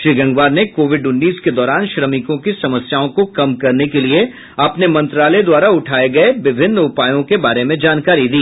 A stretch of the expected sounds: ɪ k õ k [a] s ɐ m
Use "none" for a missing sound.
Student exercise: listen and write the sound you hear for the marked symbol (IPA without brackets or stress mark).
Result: i